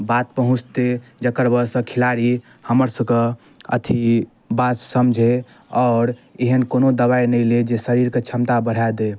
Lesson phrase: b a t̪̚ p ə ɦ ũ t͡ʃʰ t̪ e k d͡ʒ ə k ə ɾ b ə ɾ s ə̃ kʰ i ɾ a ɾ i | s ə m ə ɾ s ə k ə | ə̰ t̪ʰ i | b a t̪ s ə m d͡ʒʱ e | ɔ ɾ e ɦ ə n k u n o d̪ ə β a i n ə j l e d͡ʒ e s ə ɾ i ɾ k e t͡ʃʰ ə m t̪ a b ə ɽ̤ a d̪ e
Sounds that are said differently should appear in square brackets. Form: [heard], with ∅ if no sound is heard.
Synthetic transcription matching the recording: b a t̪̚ p ə ɦ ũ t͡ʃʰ t̪ e [∅] d͡ʒ ə k ə ɾ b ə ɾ s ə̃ kʰ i [l] a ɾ i | [h] ə m ə ɾ s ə k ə | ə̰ t̪ʰ i | b a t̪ s ə m d͡ʒʱ e | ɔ ɾ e ɦ ə n k [o] n o d̪ ə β a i n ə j l e d͡ʒ e s ə ɾ i ɾ k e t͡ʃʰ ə m t̪ a b ə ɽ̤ a d̪ e

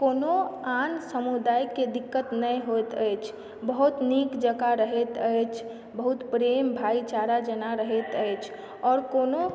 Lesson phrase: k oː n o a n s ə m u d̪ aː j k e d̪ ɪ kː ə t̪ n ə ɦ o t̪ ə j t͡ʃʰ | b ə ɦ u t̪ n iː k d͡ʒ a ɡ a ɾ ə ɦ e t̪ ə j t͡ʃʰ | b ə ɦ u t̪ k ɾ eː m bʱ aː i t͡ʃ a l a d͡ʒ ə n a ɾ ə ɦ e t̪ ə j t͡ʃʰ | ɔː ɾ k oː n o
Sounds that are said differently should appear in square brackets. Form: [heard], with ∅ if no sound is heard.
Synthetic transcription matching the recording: k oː n o a n s ə m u d̪ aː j k e d̪ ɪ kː ə t̪ n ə ɦ o t̪ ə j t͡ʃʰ | b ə ɦ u t̪ n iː k d͡ʒ [ə] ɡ a ɾ ə ɦ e t̪ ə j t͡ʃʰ | b ə ɦ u t̪ [p] ɾ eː m bʱ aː i t͡ʃ a [ɾ] a d͡ʒ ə n a ɾ ə ɦ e t̪ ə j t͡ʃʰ | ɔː ɾ k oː n o

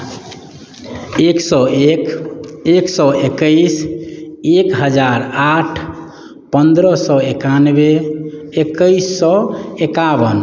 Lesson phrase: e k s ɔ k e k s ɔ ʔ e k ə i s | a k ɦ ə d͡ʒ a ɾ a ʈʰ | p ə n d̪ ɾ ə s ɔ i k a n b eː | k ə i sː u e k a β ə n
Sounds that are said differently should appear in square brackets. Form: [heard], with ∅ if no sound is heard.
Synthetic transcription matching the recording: e k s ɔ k e k s ɔ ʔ e k ə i s | [e] k ɦ ə d͡ʒ a ɾ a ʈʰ | p ə n d̪ ɾ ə s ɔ [e] k a n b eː | k ə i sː [ɔ] e k a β ə n

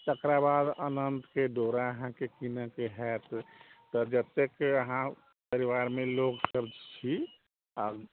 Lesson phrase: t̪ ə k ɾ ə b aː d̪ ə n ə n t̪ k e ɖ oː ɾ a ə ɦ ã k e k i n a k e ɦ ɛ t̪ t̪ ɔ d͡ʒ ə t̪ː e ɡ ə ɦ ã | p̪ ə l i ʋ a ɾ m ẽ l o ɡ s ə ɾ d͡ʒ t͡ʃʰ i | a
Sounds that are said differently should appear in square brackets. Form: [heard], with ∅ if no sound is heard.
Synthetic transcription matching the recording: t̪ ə k ɾ [a] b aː d̪ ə n ə n t̪ k e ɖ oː ɾ a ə ɦ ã k e k i n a k e ɦ ɛ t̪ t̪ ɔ d͡ʒ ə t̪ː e [k] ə ɦ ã | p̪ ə [ɾ] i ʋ a ɾ m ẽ l o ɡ s ə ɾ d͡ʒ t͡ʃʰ i | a

